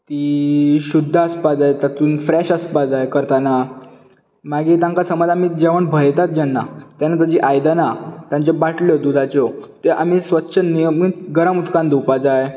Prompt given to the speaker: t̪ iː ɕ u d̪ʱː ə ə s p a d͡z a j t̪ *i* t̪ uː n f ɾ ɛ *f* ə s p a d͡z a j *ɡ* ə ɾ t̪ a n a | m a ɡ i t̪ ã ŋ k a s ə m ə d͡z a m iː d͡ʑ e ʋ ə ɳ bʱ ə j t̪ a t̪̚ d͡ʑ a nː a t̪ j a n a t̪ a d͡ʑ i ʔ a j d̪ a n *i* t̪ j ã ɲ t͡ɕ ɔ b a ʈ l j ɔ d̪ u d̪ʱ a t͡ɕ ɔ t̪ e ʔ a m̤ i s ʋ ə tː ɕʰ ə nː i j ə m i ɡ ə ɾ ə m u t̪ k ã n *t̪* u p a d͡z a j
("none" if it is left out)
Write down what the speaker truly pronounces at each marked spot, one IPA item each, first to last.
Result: a, ɕ, k, a, d̪

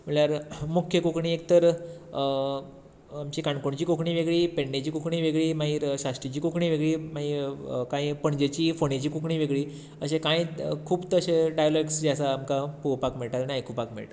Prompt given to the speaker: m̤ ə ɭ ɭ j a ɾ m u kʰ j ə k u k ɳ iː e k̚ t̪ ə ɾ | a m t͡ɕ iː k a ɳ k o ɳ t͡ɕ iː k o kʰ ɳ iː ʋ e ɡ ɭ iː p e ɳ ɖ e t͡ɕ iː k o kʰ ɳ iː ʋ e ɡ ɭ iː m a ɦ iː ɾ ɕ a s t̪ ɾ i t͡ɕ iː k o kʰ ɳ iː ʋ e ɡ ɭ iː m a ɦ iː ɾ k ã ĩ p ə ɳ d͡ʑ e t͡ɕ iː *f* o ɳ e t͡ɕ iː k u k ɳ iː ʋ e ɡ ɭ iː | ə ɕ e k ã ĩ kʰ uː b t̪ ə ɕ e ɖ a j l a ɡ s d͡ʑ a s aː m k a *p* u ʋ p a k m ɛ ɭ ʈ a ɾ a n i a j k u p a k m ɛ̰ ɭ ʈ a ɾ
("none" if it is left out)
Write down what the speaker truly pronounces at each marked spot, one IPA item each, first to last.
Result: f, p

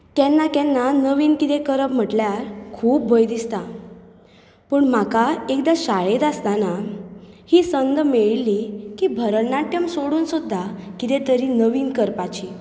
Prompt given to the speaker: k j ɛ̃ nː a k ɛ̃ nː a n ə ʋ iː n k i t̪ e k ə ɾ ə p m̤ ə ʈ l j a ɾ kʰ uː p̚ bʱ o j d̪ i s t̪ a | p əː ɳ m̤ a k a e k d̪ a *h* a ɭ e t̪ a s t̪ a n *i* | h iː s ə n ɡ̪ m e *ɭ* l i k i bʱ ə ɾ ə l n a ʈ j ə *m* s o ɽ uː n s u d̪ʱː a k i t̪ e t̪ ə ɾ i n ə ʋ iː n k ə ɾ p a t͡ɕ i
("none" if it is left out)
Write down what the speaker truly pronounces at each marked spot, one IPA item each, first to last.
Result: ɕ, a, ɭ, m

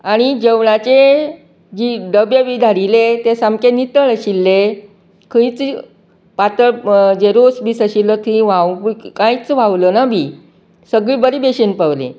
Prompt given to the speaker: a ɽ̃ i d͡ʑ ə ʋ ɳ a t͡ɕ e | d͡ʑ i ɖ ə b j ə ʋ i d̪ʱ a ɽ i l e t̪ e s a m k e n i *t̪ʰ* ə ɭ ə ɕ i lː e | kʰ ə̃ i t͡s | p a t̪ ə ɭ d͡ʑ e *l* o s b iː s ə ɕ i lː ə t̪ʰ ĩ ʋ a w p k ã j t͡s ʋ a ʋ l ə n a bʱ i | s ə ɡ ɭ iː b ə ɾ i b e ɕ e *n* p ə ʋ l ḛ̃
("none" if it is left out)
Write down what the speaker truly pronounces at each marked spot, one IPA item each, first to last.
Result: t̪, ɾ, n

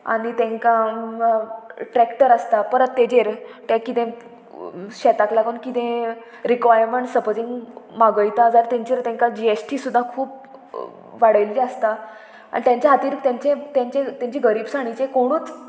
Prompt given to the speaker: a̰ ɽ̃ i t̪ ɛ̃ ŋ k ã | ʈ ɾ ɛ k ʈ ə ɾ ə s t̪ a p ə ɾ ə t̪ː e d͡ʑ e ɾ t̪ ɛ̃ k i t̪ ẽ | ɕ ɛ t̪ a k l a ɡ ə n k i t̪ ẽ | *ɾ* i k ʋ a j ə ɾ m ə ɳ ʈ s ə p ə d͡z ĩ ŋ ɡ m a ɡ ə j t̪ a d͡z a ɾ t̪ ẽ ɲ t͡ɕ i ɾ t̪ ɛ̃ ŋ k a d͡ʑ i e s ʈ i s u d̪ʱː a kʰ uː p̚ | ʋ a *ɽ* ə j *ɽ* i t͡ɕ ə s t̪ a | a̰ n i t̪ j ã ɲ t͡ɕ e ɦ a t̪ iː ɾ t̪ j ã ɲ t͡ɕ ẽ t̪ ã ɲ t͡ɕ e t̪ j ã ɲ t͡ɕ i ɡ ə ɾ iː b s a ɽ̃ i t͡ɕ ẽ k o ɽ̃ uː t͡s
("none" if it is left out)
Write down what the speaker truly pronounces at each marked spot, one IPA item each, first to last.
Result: ɾ, ɽ, l

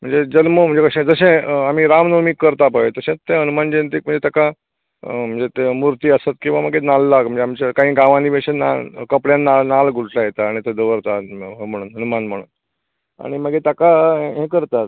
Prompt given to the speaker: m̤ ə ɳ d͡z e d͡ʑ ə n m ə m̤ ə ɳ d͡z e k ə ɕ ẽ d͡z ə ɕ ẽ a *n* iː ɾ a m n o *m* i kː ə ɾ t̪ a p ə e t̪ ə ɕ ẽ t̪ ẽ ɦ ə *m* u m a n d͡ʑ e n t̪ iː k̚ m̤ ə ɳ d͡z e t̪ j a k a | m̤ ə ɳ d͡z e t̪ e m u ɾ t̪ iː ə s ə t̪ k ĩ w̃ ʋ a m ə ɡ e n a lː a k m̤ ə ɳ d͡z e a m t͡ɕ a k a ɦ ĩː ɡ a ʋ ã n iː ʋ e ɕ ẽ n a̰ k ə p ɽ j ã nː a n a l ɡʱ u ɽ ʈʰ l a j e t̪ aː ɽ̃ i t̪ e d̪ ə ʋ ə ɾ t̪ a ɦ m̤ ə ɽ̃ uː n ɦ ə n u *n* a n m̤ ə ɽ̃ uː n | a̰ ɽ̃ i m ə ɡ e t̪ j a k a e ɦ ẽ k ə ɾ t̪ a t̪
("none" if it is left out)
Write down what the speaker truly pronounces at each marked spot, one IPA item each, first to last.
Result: m, m, n, m

